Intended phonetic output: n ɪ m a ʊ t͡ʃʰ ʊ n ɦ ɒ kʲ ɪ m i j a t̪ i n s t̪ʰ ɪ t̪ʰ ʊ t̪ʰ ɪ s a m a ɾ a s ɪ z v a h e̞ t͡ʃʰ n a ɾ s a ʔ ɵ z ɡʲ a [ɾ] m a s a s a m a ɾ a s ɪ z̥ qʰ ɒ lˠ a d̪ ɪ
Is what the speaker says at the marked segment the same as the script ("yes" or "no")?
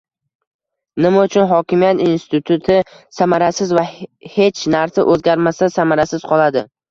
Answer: yes